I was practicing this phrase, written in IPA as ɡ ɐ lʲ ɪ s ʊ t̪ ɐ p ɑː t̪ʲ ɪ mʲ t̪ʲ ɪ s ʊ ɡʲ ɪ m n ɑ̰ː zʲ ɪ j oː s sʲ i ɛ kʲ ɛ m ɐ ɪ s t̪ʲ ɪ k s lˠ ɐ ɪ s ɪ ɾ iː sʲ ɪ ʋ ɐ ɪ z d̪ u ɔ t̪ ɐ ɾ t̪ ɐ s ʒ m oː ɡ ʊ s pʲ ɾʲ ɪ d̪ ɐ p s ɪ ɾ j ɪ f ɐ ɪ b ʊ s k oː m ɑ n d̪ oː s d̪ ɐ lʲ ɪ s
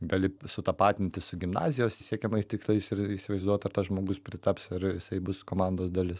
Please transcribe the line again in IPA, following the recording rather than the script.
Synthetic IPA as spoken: ɡ ɐ lʲ ɪ s ʊ t̪ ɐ p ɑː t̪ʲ ɪ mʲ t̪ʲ ɪ s ʊ ɡʲ ɪ m n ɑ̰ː zʲ ɪ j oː s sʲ i ɛ kʲ ɛ m ɐ ɪ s t̪ʲ ɪ k s lˠ ɐ ɪ s ɪ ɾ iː sʲ ɪ ʋ ɐ ɪ z d̪ u ɔ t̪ ɐ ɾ t̪ ɐ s ʒ m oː ɡ ʊ s pʲ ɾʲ ɪ t̪ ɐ p s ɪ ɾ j ɪ s ɐ ɪ b ʊ s k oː m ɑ n d̪ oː s d̪ ɐ lʲ ɪ s